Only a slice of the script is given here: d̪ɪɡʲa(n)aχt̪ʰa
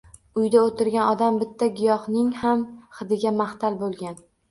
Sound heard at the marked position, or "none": m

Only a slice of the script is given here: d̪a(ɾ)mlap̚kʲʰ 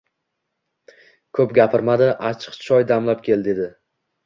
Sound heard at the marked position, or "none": none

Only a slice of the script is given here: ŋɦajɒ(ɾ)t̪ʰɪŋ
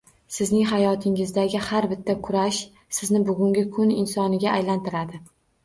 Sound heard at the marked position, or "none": none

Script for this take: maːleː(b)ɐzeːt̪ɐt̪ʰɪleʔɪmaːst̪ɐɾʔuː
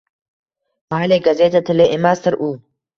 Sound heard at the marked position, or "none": ɡ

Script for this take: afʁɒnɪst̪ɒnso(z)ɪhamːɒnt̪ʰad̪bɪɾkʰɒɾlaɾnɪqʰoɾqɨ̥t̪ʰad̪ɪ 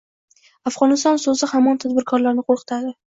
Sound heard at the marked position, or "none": z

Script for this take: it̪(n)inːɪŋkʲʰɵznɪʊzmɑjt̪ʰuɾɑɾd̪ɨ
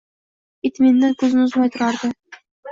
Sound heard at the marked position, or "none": m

